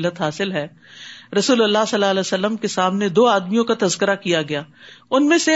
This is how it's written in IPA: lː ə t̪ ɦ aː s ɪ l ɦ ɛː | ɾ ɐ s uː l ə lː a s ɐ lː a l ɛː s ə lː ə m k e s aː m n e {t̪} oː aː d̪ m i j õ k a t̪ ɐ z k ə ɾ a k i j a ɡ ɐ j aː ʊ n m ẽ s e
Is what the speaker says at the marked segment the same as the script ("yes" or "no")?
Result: no